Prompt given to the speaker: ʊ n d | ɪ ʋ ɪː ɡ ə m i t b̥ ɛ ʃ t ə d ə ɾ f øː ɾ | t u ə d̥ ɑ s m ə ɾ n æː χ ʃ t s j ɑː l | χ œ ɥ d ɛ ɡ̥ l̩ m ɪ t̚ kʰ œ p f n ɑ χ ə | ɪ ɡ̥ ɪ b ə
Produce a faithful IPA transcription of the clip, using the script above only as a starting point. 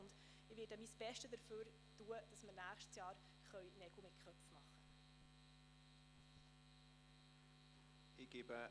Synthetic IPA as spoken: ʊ n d | ɪ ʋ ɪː d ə m i s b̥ ɛ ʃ t ə d ə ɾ f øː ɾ | t u ə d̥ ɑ s m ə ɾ n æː χ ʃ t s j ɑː ɾ | χ œ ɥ n ɛ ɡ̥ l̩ m ɪ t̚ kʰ œ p f m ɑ χ ə | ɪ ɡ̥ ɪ b ə